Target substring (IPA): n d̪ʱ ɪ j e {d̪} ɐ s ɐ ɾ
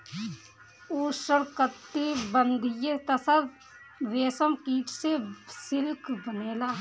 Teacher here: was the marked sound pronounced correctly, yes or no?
no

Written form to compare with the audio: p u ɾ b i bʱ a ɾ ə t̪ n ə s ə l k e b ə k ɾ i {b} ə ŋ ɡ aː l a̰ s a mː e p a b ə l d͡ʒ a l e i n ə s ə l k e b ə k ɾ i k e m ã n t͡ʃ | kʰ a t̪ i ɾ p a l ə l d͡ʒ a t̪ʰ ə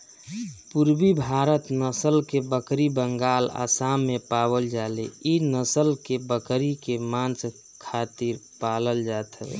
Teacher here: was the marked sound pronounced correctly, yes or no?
yes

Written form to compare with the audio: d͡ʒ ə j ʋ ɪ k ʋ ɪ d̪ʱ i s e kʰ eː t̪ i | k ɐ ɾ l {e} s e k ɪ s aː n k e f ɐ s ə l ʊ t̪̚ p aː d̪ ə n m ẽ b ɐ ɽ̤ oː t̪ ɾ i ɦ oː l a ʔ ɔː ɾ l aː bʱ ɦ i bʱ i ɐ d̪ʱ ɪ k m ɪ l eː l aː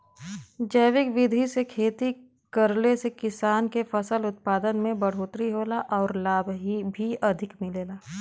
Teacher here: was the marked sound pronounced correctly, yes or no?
yes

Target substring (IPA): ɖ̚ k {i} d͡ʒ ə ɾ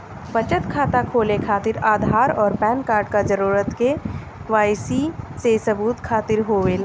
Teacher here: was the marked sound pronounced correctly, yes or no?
no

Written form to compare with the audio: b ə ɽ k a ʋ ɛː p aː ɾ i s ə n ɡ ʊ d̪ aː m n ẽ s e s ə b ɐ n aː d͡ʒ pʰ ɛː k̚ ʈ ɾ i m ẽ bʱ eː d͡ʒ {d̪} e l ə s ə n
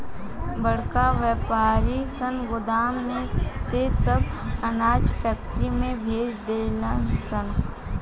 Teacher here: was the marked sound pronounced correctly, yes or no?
yes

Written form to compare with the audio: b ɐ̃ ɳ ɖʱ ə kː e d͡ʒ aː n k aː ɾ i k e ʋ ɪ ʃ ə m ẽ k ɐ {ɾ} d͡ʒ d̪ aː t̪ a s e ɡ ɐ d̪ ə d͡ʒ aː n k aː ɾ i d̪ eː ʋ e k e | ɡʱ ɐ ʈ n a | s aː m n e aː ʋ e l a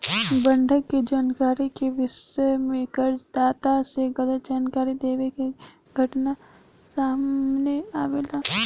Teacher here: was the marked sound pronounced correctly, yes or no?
yes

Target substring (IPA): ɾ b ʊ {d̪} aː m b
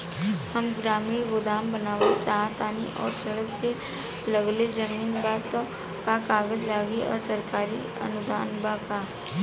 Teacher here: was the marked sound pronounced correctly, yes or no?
yes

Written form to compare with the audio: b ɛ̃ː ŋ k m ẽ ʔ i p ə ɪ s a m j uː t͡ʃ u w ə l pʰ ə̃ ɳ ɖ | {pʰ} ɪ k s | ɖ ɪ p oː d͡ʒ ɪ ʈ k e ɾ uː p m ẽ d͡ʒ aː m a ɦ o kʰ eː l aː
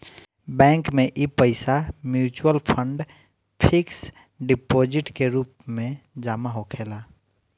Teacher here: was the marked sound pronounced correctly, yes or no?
yes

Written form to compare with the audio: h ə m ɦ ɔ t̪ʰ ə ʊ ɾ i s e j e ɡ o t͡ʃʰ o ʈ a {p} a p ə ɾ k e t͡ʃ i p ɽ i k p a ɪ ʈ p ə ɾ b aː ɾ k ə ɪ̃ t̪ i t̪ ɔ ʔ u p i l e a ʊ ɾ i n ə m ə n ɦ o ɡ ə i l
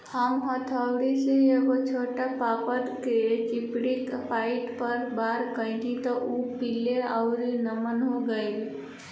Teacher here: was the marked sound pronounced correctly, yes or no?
yes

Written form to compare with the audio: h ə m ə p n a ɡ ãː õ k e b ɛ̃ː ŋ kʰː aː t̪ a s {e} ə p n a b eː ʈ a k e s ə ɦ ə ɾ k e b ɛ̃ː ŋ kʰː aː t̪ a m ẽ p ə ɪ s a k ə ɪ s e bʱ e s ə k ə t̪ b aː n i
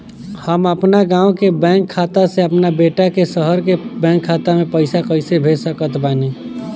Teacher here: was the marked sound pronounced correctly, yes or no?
yes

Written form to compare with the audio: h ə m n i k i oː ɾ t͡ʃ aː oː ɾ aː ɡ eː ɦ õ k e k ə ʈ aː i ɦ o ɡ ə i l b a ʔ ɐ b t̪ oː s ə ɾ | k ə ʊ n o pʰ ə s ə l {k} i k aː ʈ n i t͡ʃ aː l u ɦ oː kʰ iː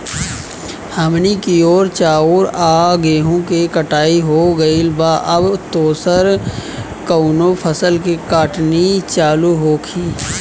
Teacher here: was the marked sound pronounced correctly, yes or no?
yes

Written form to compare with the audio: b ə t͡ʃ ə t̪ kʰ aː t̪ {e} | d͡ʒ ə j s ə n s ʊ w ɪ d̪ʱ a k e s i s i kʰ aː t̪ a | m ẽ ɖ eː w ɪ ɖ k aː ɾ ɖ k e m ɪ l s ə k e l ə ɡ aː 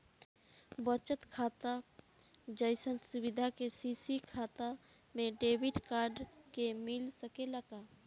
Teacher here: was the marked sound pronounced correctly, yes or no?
no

